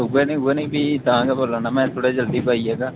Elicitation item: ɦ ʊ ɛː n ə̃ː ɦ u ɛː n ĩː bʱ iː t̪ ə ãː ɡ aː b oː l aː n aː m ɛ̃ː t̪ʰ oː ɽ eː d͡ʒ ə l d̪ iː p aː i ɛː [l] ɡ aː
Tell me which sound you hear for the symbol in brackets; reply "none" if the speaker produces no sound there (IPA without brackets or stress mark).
none